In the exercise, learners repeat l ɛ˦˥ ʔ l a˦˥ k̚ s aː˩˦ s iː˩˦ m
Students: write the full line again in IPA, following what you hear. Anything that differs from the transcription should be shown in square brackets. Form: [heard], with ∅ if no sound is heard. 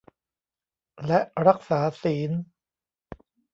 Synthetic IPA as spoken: l ɛ˦˥ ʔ [ɾ] a˦˥ k̚ s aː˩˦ s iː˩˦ [n]